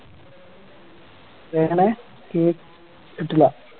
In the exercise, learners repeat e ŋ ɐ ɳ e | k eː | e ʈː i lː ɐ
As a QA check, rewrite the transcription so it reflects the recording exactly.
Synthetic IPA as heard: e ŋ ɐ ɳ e | k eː | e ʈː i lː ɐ